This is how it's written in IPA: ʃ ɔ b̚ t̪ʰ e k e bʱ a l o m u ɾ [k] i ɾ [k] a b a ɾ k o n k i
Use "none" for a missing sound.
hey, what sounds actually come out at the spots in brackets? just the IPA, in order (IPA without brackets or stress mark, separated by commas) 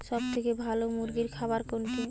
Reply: ɡ, kʰ